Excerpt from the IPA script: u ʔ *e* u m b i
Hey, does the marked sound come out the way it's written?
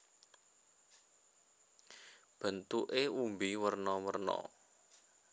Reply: yes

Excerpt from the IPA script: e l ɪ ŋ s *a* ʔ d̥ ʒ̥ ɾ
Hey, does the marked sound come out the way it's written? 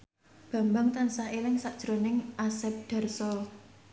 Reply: yes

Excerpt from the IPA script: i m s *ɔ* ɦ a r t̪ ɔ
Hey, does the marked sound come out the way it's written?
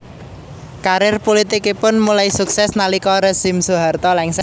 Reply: no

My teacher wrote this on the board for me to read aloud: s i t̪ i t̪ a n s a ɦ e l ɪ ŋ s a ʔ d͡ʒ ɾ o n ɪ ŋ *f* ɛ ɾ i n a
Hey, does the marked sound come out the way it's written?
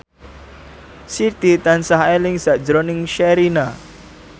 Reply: no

